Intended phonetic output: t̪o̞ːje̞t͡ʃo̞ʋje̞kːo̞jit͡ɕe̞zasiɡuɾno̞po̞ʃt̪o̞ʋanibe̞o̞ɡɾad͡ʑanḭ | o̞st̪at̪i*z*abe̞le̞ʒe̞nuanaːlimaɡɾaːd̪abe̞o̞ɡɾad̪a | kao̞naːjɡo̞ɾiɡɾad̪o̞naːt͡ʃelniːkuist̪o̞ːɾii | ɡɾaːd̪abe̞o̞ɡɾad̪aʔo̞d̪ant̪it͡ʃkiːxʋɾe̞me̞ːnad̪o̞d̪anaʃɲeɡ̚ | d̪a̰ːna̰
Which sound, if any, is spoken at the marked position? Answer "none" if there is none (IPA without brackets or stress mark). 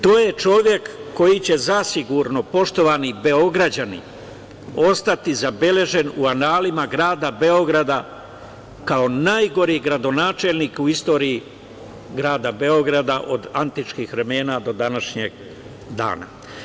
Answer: z